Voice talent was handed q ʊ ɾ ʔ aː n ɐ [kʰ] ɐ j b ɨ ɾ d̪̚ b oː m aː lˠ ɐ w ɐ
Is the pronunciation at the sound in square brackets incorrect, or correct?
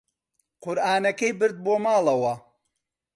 incorrect